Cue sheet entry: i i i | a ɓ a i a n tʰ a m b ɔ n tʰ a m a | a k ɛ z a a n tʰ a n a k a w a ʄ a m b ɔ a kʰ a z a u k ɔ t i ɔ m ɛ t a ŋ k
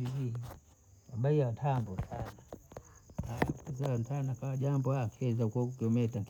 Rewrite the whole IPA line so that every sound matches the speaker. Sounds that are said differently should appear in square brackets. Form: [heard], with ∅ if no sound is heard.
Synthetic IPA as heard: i i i | a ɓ a i a n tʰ a m b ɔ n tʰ a [n] a | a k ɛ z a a n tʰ a n a k a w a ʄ a m b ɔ a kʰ [ɛ] z a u k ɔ [k] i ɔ m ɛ t a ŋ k